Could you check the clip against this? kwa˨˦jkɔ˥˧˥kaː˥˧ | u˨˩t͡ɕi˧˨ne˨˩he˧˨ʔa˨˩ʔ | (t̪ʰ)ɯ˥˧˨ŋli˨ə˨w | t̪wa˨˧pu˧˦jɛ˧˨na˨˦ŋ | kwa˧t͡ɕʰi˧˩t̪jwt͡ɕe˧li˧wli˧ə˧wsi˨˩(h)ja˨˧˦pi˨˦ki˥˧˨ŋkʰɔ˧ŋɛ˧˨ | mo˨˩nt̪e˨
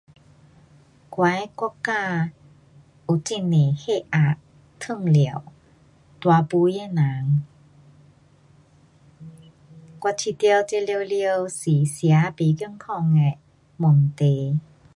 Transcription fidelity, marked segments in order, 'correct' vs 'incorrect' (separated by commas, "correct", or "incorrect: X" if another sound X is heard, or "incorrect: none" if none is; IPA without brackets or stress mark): correct, incorrect: s